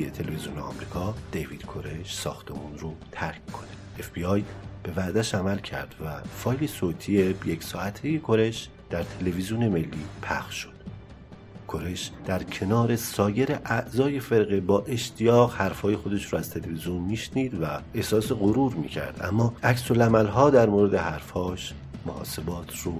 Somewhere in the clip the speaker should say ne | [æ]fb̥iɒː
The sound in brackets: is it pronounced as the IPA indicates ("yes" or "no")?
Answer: no